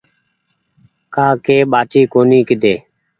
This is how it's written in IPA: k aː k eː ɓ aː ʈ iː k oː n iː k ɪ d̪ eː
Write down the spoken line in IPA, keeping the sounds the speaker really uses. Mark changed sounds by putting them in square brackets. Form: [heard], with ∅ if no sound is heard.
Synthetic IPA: k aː k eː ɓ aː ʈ iː k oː n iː k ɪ d̪ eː